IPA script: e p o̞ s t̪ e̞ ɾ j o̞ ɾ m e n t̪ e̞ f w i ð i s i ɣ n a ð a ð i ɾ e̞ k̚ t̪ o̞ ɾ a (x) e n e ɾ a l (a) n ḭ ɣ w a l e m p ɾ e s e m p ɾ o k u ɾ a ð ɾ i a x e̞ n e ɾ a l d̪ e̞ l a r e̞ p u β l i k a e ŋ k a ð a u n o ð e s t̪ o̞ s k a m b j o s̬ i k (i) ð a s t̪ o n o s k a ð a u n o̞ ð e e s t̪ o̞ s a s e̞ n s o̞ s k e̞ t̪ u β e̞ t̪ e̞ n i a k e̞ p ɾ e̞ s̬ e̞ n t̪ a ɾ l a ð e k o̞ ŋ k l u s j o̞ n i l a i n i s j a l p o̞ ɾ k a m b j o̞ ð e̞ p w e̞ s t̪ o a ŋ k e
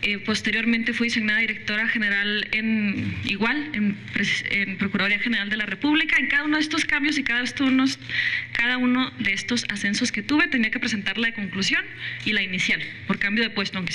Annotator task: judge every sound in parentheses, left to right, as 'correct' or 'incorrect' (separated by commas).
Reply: correct, incorrect, incorrect